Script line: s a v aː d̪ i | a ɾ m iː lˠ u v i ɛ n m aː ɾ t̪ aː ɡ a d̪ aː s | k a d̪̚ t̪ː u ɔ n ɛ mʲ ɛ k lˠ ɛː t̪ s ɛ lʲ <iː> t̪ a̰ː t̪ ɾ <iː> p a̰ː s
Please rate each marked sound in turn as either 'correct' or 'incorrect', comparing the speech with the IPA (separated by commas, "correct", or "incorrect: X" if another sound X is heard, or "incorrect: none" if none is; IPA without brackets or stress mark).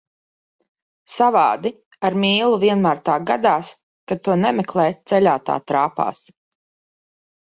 incorrect: aː, incorrect: aː